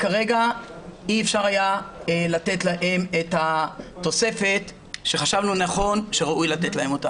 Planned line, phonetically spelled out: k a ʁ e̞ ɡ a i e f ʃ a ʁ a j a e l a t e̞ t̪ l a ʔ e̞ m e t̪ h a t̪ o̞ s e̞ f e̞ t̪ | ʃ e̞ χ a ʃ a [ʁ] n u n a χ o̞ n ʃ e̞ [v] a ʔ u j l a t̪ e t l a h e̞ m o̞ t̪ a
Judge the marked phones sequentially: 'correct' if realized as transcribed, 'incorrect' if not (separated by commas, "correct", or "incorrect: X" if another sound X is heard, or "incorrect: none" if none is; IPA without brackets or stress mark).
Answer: incorrect: v, incorrect: ʁ